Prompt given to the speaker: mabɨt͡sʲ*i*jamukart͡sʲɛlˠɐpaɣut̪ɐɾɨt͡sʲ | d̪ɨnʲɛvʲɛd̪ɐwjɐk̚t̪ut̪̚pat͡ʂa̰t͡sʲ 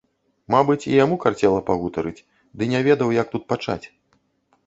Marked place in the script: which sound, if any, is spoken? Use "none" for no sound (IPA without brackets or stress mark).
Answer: i